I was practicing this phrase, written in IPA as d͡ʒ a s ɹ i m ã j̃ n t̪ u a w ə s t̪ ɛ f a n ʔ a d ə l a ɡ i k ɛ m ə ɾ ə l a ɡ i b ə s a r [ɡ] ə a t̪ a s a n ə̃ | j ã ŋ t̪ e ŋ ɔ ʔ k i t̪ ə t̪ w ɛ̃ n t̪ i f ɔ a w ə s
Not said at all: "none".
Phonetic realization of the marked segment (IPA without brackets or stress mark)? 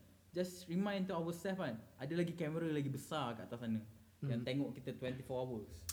k